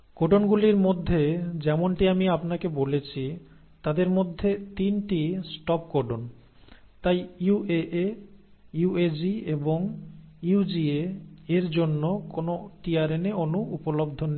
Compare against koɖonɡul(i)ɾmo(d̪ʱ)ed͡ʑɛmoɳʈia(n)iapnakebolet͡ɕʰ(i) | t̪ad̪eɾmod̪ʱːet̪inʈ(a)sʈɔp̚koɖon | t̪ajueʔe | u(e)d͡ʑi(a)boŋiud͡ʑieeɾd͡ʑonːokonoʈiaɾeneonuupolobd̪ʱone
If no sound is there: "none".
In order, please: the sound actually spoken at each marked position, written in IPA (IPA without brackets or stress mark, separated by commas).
i, d̪ʱː, m, i, i, e, e